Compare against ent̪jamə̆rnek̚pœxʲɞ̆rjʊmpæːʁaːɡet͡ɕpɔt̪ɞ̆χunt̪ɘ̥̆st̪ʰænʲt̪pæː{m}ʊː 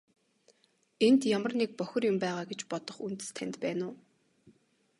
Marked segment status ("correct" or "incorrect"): incorrect